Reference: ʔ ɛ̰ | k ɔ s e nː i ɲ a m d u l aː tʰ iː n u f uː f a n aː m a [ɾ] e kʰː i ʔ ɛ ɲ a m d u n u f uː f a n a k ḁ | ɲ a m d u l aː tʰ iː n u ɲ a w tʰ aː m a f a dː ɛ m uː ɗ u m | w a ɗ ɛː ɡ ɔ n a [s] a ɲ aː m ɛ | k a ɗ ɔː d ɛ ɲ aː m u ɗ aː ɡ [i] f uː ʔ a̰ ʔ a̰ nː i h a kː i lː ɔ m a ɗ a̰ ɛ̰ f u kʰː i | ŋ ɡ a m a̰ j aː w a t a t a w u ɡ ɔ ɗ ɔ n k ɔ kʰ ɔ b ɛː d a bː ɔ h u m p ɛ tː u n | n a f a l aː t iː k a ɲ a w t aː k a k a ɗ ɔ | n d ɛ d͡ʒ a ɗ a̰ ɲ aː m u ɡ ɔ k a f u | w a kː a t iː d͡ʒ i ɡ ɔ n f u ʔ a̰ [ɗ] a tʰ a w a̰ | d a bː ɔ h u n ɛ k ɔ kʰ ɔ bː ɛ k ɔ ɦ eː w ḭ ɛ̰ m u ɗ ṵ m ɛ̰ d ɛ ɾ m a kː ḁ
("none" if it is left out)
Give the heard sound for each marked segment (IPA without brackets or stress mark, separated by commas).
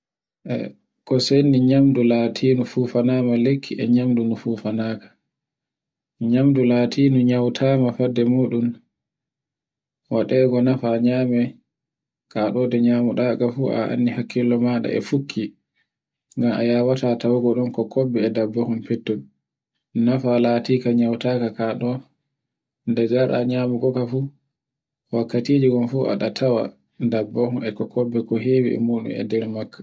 l, f, a, ɗ